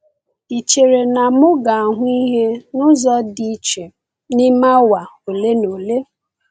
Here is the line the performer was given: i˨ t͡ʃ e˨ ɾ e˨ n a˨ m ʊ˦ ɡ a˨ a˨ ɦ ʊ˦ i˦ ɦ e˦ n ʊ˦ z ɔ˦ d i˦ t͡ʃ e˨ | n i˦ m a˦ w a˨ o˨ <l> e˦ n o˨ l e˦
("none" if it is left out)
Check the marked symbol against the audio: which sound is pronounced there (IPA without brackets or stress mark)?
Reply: l